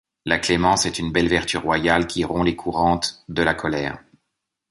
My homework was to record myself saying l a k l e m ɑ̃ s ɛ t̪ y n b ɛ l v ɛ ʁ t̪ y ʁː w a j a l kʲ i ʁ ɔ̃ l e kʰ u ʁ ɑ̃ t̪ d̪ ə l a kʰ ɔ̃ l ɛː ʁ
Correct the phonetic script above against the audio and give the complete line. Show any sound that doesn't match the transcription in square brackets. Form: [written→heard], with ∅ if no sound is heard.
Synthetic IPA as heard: l a k l e m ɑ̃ s ɛ t̪ y n b ɛ l v ɛ ʁ t̪ y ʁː w a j a l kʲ i ʁ ɔ̃ l e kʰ u ʁ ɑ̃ t̪ d̪ ə l a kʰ [ɔ̃→ɔ] l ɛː ʁ